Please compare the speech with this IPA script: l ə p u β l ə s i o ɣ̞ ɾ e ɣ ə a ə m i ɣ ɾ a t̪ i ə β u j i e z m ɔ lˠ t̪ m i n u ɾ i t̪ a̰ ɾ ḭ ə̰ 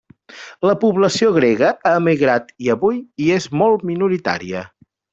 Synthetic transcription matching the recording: l ə p u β l ə s i o ɣ̞ ɾ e ɣ ə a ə m i ɣ ɾ a t̪ i ə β u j i e z m ɔ lˠ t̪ m i n u ɾ i t̪ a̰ ɾ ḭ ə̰